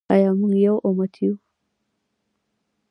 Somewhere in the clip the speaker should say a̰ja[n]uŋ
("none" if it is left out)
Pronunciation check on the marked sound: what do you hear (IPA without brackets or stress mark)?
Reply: m